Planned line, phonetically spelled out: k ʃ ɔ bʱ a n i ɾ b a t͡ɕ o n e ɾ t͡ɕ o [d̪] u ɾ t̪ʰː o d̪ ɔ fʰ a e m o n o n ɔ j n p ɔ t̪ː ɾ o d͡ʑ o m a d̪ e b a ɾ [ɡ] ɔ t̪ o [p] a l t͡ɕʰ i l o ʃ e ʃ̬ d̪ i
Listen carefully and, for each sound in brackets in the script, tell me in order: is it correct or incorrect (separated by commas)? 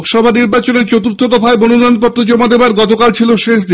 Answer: incorrect, correct, incorrect